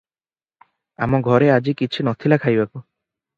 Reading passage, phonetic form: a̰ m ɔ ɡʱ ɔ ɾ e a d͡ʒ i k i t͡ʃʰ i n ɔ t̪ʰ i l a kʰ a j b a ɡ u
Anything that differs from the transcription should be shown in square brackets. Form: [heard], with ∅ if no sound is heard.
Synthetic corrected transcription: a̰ m ɔ ɡʱ ɔ ɾ e a d͡ʒ i k i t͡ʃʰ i n ɔ t̪ʰ i l a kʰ a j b a [k] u